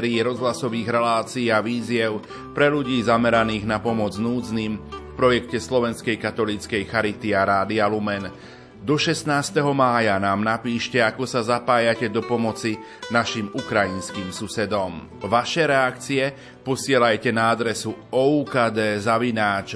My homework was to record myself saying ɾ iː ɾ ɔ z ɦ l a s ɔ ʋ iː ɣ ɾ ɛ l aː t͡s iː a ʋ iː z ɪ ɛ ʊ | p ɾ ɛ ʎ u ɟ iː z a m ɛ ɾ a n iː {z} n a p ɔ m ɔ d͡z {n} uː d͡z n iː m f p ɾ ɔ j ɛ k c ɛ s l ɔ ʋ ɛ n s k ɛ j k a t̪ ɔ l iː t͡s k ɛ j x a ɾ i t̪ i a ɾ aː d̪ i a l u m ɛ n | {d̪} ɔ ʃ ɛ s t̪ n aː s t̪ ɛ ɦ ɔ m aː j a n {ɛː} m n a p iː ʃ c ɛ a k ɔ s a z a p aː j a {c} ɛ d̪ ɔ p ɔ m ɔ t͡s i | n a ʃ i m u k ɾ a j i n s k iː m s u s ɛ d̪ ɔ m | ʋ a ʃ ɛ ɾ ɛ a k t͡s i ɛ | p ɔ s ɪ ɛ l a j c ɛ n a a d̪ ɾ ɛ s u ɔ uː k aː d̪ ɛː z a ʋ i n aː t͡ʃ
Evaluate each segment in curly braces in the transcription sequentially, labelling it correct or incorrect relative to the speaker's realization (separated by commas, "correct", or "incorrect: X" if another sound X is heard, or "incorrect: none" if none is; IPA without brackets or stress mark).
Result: incorrect: ɣ, correct, correct, incorrect: aː, correct